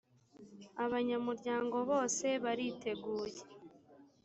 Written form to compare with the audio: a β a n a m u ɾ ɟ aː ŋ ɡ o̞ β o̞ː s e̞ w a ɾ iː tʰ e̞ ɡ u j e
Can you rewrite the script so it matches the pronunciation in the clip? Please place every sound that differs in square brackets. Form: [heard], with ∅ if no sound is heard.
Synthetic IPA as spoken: a β a [ɲ] a m u ɾ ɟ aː ŋ ɡ o̞ β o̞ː s e̞ [β] a ɾ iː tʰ e̞ ɡ [uː] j e